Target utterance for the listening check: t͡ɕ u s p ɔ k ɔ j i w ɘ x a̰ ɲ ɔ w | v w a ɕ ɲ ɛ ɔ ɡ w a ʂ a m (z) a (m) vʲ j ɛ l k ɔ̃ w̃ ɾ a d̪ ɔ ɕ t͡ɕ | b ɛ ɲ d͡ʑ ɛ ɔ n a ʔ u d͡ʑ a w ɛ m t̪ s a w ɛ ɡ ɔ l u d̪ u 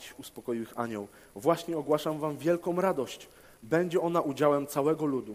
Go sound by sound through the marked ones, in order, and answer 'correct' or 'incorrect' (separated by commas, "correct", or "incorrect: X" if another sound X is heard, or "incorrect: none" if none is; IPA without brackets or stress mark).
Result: incorrect: v, correct